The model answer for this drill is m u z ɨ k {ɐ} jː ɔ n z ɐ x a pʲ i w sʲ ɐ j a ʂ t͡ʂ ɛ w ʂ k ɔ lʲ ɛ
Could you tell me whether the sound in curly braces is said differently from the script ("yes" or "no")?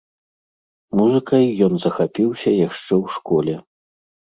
no